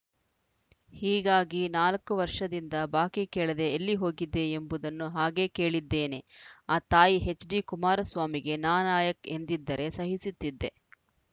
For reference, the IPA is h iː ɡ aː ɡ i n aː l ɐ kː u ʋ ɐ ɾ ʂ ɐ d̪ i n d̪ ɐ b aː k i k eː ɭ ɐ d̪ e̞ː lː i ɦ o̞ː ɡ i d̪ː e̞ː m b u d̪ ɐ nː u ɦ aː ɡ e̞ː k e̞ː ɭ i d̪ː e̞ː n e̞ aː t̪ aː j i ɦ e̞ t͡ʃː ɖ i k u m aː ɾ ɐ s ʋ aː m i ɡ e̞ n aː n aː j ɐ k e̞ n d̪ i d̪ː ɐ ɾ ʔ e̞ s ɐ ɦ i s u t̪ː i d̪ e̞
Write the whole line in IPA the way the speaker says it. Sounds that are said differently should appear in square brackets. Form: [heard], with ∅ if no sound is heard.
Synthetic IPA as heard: h iː ɡ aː ɡ i n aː l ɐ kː u ʋ ɐ ɾ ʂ ɐ d̪ i n d̪ ɐ b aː k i k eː ɭ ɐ d̪ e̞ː lː i ɦ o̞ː ɡ i d̪ː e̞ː m b u d̪ ɐ nː u ɦ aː ɡ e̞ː k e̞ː ɭ i d̪ː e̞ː n e̞ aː t̪ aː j i ɦ e̞ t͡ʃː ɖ i k u m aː ɾ ɐ s ʋ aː m i ɡ e̞ n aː n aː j ɐ k e̞ n d̪ i d̪ː ɐ ɾ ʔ e̞ s ɐ ɦ i s u t̪ː i [d̪ː] e̞